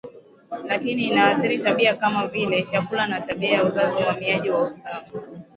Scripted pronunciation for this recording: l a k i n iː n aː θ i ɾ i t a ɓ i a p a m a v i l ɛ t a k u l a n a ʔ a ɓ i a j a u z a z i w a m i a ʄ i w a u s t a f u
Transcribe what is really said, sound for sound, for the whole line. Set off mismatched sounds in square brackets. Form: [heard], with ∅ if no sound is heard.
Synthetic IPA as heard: l a k i n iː n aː θ i ɾ i t a ɓ i a [k] a m a v i l ɛ [t͡ʃ] a k u l a n a [t] a ɓ i a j a u z a z i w a m i a ʄ i w a u s t a f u